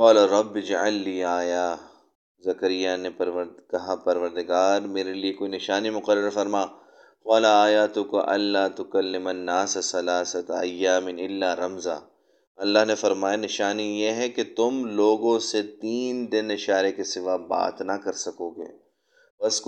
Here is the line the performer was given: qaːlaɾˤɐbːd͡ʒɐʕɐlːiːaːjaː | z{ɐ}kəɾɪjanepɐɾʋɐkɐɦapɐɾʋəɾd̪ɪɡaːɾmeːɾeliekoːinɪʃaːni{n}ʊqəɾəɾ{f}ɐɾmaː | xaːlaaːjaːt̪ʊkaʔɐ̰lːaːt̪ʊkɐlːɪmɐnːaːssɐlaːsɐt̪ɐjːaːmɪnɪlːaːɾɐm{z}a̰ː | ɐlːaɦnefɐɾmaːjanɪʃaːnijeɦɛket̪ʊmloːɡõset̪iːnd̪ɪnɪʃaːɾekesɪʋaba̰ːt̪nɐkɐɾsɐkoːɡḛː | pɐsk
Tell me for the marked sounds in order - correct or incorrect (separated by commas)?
correct, incorrect, correct, correct